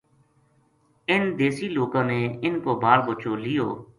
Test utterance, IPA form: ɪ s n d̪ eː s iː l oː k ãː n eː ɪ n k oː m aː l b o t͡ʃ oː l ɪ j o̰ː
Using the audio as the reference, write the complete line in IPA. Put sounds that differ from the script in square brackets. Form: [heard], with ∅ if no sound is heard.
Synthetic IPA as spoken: ɪ [∅] n d̪ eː s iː l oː k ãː n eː ɪ n k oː [b] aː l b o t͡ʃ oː l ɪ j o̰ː

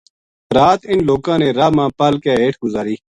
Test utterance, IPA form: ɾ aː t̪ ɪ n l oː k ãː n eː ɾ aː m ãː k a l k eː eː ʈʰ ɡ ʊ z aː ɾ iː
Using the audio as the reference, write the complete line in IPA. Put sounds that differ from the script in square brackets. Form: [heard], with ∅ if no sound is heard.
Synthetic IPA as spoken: ɾ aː t̪ ɪ n l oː k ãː n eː ɾ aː m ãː [p] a l k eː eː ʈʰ ɡ ʊ z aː ɾ iː

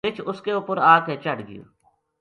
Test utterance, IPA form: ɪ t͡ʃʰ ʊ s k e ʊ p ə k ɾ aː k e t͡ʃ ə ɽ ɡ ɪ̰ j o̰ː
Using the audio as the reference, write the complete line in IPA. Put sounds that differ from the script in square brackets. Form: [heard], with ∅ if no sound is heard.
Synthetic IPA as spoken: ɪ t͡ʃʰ ʊ s k e ʊ p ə [∅] ɾ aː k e t͡ʃ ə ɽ ɡ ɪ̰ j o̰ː

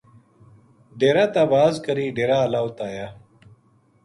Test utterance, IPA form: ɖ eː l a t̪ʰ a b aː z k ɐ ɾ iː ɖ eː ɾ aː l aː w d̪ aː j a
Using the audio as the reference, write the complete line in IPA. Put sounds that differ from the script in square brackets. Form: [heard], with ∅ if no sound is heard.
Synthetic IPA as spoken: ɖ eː [ɾ] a [t̪] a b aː z k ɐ ɾ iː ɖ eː ɾ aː l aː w [t̪] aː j a

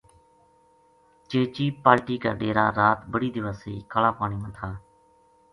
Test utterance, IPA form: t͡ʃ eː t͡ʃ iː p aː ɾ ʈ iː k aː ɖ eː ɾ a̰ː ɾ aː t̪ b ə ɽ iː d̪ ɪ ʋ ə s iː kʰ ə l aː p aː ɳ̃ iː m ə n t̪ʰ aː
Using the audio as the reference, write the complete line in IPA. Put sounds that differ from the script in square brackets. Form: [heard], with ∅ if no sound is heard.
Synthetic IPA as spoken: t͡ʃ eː t͡ʃ iː p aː ɾ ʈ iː k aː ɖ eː ɾ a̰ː ɾ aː t̪ b ə ɽ iː d̪ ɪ ʋ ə s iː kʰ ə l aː p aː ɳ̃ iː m ə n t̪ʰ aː

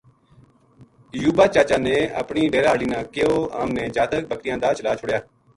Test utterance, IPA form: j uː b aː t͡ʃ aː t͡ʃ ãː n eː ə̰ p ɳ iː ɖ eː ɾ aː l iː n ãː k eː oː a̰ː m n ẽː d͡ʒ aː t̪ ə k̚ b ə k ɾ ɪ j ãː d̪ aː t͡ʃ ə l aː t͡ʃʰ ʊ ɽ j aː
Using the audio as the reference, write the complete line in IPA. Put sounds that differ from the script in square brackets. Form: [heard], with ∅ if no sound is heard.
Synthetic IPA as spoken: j uː b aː t͡ʃ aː t͡ʃ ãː n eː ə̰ p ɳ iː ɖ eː ɾ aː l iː n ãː k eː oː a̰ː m n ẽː d͡ʒ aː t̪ ə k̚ b ə k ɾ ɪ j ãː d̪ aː t͡ʃ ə l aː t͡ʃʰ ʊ ɽ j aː

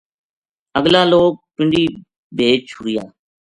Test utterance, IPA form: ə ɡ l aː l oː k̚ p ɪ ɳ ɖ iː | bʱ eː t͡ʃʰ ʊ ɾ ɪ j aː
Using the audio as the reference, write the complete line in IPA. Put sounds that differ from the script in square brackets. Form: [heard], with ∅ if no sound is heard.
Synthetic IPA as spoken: ə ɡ l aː l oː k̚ p ɪ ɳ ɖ iː | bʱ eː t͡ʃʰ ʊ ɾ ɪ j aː

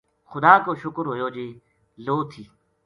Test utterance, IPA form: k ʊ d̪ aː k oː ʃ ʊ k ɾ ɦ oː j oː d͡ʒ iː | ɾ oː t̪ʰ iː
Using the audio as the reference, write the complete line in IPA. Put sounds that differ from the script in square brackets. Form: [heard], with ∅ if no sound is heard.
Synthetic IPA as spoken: [x] ʊ d̪ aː k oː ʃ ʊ k ɾ ɦ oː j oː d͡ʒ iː | [l] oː t̪ʰ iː

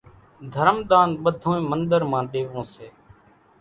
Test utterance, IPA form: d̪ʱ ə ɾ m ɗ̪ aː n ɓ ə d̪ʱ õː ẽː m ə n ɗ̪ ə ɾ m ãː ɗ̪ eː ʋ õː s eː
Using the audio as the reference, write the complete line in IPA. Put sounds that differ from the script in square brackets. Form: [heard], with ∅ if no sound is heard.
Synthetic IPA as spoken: d̪ʱ ə ɾ m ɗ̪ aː n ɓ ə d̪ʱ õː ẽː m ə n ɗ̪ ə ɾ m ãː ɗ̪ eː ʋ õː s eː

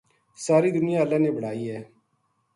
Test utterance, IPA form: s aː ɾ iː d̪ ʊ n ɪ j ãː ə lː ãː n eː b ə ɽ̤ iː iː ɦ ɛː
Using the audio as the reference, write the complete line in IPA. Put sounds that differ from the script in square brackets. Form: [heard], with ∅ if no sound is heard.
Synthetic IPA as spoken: s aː ɾ iː d̪ ʊ n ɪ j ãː ə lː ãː n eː b ə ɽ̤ [aː] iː ɦ ɛː

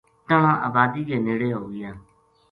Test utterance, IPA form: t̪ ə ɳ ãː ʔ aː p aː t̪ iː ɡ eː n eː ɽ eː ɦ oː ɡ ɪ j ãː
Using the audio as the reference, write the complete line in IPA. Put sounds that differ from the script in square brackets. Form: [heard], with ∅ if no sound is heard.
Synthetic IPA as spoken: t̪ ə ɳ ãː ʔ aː [b] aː [d̪] iː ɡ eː n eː ɽ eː ɦ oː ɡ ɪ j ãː

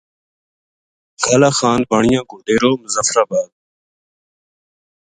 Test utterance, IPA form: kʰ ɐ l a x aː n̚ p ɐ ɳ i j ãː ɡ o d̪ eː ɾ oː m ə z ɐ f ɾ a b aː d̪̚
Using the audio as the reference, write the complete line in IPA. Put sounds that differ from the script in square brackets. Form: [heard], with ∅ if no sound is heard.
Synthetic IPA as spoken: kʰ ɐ l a x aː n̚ [b] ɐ ɳ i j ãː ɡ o d̪ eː ɾ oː m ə z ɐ f ɾ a b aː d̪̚

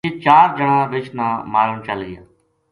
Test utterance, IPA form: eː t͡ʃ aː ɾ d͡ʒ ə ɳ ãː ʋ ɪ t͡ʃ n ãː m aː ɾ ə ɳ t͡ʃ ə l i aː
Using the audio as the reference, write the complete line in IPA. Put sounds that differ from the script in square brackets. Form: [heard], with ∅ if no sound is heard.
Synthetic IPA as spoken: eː t͡ʃ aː ɾ d͡ʒ ə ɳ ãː ʋ ɪ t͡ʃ n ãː m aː ɾ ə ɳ t͡ʃ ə l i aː

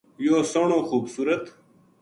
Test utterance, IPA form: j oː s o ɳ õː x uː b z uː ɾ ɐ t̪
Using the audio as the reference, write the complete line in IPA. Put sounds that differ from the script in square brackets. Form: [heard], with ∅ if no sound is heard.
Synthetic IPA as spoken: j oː s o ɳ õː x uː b [s] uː ɾ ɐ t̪

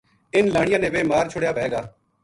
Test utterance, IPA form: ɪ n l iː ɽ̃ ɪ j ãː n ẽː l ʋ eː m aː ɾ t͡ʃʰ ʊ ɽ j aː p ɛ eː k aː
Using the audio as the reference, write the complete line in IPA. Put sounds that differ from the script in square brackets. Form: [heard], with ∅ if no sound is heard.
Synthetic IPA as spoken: ɪ n l [aː] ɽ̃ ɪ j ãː n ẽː [∅] ʋ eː m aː ɾ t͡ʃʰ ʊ ɽ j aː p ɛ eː [ɡ] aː

